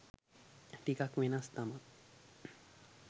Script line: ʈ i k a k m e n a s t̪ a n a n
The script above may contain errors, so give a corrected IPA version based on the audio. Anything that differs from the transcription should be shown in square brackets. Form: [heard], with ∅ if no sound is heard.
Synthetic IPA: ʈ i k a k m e n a s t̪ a [m] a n